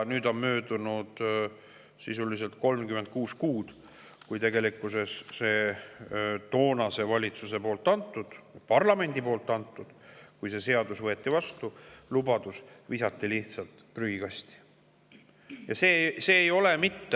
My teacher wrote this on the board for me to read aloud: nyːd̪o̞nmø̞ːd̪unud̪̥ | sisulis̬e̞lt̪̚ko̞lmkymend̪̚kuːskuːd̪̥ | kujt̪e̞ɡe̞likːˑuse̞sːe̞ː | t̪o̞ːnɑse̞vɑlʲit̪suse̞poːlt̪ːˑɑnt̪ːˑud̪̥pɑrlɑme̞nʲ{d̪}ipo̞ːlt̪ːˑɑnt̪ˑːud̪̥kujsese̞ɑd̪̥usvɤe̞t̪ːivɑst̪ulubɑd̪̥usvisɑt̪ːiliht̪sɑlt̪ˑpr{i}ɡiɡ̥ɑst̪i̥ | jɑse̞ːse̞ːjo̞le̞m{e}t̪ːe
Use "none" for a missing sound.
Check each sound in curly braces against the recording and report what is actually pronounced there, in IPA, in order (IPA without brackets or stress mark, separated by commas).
d̪, y, i